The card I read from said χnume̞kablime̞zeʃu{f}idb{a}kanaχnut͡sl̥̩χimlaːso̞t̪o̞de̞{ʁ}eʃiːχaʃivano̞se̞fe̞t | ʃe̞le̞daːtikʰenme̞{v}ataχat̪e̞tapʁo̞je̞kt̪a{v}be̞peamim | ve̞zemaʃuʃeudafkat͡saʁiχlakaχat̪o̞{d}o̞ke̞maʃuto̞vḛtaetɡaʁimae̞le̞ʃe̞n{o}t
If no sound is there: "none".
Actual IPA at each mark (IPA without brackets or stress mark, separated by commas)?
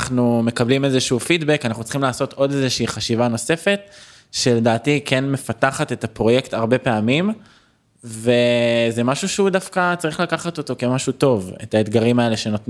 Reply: f, e, z, f, ʁ, t, o